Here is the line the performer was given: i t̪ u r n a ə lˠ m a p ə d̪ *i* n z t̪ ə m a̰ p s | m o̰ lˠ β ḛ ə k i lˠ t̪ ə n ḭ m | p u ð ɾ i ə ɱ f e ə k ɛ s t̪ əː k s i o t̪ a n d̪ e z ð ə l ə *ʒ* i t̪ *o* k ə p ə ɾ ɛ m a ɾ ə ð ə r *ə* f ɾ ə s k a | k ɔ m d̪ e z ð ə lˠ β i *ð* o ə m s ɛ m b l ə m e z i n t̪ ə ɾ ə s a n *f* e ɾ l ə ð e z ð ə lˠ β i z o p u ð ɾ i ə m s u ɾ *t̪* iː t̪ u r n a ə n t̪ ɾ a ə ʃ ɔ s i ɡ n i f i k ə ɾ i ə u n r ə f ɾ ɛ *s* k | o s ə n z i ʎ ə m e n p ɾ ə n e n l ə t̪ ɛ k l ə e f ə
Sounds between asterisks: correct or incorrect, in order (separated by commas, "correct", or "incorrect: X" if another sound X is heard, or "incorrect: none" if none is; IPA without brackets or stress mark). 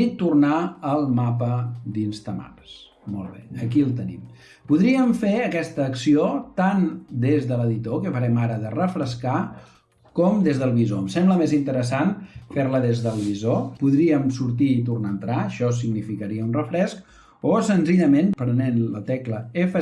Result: correct, incorrect: ð, correct, correct, incorrect: z, correct, correct, correct